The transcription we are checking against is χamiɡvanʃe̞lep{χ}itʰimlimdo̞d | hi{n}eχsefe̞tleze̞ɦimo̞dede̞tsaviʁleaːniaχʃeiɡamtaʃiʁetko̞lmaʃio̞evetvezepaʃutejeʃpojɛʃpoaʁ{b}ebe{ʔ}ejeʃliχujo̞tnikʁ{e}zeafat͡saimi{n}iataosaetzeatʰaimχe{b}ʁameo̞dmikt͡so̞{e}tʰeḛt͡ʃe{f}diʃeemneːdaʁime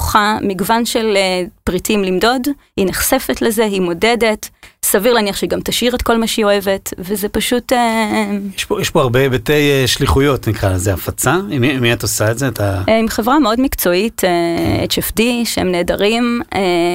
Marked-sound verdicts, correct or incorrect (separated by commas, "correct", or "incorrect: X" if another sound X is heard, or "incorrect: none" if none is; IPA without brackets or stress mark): incorrect: ʁ, correct, correct, incorrect: t, incorrect: a, incorrect: m, incorrect: v, incorrect: i, correct